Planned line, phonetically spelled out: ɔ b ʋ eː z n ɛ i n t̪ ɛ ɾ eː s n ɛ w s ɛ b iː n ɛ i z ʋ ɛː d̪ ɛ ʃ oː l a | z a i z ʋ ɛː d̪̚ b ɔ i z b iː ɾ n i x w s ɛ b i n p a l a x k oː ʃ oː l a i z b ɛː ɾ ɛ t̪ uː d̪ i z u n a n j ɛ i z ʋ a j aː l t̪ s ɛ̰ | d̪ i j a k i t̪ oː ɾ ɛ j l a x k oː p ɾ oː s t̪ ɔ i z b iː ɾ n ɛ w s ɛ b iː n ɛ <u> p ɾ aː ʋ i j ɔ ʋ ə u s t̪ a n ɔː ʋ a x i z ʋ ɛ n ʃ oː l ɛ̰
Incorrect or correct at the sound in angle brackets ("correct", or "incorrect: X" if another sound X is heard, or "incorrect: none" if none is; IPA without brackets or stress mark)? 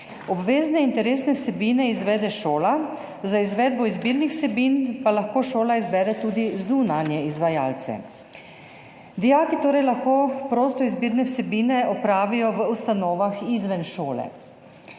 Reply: incorrect: ɔ